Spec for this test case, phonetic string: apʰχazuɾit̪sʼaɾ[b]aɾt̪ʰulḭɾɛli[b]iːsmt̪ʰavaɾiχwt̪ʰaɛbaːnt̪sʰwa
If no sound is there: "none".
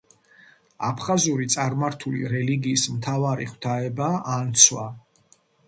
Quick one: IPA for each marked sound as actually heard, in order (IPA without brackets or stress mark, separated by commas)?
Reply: m, ɡ